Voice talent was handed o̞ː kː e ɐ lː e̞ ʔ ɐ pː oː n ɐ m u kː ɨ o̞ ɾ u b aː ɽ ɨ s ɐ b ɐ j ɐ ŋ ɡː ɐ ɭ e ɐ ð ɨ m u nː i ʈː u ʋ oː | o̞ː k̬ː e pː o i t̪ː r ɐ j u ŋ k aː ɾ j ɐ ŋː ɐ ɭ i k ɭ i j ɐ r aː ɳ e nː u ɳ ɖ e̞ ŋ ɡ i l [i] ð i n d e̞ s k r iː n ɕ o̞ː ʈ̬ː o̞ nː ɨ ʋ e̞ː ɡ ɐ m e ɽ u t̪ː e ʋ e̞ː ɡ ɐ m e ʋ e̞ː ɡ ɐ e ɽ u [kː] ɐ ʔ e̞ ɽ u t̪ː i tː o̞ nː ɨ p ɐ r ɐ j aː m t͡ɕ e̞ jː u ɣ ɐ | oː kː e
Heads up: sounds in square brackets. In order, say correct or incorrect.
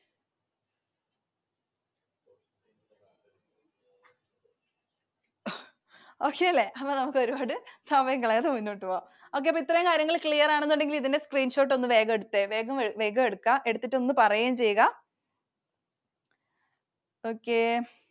correct, correct

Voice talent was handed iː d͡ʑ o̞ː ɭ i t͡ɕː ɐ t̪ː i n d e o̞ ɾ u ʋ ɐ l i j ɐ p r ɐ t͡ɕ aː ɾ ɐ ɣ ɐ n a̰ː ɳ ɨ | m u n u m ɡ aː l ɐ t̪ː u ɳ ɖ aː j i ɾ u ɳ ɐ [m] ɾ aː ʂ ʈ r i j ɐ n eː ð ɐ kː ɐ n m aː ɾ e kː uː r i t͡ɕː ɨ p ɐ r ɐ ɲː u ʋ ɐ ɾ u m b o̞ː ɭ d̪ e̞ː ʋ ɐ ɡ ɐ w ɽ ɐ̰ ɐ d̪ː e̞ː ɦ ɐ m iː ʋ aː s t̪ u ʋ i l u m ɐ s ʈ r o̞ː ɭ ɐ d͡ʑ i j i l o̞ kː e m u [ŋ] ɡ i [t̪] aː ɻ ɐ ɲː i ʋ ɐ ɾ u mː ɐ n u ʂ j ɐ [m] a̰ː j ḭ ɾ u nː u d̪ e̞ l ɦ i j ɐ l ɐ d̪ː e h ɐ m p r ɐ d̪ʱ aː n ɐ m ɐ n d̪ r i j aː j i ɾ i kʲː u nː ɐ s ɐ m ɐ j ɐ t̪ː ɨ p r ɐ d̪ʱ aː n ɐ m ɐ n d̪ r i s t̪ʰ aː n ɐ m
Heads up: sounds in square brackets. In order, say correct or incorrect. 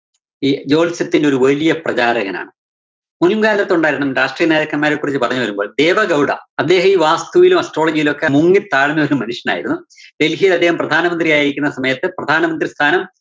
correct, correct, correct, incorrect: n

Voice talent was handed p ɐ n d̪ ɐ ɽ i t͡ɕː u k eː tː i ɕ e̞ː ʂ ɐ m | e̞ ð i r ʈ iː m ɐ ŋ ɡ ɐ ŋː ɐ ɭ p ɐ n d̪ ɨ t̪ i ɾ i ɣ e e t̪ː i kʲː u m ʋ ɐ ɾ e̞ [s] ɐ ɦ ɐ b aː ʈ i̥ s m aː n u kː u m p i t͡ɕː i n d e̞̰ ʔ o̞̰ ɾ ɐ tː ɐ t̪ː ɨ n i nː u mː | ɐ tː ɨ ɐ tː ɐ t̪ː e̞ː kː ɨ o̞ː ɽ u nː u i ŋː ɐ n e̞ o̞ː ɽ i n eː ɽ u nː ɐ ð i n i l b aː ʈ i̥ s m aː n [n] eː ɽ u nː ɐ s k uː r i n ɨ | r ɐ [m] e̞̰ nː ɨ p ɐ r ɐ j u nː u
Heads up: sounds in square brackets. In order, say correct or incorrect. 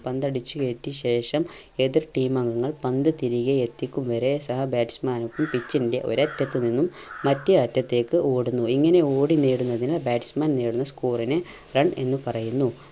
correct, correct, incorrect: ɳ

